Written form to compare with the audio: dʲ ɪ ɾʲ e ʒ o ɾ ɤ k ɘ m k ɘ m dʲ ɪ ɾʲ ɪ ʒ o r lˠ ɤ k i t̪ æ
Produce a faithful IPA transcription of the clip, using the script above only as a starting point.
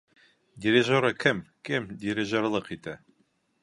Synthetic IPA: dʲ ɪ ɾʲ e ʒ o ɾ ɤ k ɘ m k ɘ m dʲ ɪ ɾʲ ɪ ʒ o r lˠ ɤ q i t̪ æ